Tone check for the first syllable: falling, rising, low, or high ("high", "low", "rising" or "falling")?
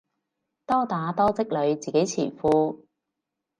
high